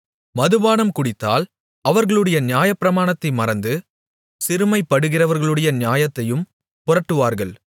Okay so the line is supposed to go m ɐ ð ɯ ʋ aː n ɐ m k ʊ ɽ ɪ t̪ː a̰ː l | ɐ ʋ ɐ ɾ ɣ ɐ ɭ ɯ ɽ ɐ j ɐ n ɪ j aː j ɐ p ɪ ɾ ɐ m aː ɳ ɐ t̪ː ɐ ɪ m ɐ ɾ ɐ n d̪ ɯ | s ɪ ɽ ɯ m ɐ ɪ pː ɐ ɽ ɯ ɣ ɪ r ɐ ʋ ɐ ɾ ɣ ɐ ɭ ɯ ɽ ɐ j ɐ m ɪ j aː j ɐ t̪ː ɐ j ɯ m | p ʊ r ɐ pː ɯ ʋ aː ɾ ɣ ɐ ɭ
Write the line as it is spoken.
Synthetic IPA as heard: m ɐ ð ɯ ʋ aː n ɐ m k ʊ ɽ ɪ t̪ː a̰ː l | ɐ ʋ ɐ ɾ ɣ ɐ ɭ ɯ ɽ ɐ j ɐ n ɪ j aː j ɐ p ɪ ɾ ɐ m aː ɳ ɐ t̪ː ɐ ɪ m ɐ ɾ ɐ n d̪ ɯ | s ɪ ɾ ɯ m ɐ ɪ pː ɐ ɽ ɯ ɣ ɪ r ɐ ʋ ɐ ɾ ɣ ɐ ɭ ɯ ɽ ɐ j ɐ n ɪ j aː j ɐ t̪ː ɐ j ɯ m | p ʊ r ɐ ʈː ɯ ʋ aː ɾ ɣ ɐ ɭ